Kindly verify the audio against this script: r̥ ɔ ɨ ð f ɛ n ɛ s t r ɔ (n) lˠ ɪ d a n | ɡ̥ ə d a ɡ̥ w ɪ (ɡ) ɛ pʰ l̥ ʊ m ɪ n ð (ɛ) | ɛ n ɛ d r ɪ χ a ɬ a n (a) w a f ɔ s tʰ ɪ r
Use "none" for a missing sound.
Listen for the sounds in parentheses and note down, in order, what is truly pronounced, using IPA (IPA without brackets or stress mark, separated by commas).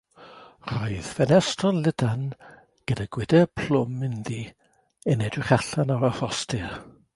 n, d, i, a